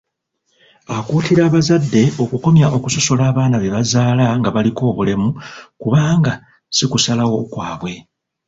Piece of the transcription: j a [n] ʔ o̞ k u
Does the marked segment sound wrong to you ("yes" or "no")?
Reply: yes